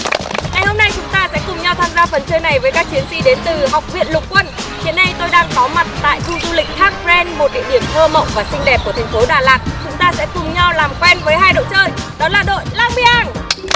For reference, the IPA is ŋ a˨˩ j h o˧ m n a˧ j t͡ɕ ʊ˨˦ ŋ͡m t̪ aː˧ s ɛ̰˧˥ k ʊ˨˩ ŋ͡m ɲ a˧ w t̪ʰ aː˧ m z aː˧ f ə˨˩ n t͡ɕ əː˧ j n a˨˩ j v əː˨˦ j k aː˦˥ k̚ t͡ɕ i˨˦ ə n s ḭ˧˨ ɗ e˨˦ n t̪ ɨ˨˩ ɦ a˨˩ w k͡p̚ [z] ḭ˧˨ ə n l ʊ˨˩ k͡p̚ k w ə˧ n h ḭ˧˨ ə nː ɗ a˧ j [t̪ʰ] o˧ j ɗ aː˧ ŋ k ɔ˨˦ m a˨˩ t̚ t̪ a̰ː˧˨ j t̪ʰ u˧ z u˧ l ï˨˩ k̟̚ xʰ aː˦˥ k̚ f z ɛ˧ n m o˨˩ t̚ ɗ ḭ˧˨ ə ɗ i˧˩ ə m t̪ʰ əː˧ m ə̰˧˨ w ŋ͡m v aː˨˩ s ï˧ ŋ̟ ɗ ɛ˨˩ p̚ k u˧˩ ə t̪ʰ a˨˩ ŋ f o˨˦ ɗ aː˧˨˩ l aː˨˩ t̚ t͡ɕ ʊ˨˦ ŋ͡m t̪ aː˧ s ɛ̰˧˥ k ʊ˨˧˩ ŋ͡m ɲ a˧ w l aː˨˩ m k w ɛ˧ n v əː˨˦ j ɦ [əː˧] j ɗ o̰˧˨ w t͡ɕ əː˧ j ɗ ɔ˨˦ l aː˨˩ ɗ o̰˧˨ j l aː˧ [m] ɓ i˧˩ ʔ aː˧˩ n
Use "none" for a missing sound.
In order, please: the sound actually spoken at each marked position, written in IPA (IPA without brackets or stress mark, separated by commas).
v, t̪, aː˧, ŋ